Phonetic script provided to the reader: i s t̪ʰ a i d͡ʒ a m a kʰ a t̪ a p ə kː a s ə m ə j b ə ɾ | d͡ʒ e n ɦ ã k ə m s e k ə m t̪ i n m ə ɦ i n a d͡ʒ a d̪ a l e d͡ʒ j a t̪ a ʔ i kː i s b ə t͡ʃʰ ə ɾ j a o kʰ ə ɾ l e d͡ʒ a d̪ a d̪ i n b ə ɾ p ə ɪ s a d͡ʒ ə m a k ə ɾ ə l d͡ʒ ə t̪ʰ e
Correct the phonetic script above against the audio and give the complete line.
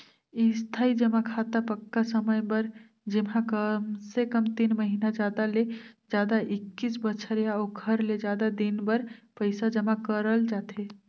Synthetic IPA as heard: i s t̪ʰ a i d͡ʒ ə m a kʰ a t̪ a p ə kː a s ə m ə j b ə ɾ | d͡ʒ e m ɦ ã k ə m s e k ə m t̪ i n m ə ɦ i n a d͡ʒ a d̪ a l e d͡ʒ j a d̪ a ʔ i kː i s b ə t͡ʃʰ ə ɾ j a o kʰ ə ɾ l e d͡ʒ a d̪ a d̪ i n b ə ɾ p ə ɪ s a d͡ʒ ə m a k ə ɾ ə l d͡ʒ a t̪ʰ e